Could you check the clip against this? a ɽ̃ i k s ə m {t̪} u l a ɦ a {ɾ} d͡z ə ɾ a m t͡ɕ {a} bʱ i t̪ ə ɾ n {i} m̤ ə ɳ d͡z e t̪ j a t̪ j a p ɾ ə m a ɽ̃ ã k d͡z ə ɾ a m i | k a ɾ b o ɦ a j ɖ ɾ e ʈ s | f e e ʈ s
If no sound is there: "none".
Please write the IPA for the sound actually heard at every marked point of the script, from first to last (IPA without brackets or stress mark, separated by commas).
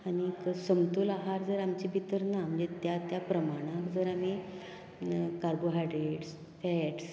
t̪, ɾ, i, a